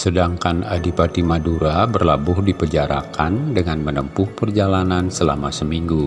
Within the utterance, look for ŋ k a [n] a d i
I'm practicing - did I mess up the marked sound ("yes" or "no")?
no